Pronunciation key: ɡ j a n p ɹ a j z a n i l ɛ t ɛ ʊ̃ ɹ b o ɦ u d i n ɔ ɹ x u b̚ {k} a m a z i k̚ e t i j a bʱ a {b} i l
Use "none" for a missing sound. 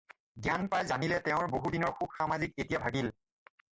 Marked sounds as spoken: x, ɡ

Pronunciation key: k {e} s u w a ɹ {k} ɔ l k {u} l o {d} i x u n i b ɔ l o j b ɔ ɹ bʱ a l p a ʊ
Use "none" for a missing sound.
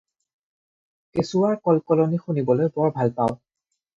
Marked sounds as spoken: e, k, ɔ, n

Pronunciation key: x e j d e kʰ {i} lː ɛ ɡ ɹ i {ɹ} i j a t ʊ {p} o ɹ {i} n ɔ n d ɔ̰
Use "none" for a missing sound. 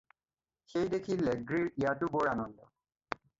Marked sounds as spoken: i, ɹ, b, a

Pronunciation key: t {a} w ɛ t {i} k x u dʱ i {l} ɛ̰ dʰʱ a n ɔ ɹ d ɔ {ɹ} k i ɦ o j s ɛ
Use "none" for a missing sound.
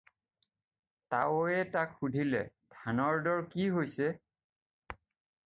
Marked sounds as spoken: a, a, l, ɹ

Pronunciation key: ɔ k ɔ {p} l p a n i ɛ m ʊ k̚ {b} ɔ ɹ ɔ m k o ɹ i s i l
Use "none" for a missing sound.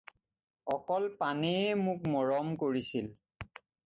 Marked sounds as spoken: none, m

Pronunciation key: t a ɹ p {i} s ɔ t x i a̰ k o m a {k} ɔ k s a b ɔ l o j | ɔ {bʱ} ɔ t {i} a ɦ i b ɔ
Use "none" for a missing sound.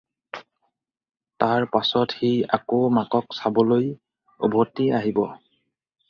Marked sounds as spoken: a, k, bʱ, i

